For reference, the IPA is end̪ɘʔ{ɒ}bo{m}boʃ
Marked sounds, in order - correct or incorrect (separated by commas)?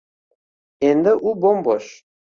incorrect, correct